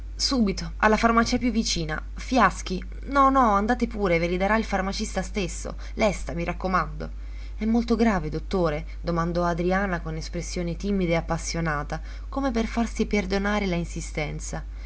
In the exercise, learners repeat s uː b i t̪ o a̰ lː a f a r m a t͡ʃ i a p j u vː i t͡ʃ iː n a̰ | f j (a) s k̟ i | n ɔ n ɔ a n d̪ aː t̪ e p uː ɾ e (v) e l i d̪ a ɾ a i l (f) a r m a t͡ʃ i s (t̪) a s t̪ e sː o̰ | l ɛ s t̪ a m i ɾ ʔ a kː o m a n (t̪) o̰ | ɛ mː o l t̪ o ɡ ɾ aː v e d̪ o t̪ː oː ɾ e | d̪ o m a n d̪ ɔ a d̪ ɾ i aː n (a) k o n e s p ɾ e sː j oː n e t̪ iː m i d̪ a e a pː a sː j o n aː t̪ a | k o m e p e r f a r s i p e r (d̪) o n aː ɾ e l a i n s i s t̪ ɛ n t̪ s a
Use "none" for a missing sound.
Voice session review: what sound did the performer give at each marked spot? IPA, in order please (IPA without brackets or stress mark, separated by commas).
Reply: a, v, f, t̪, d̪, a, d̪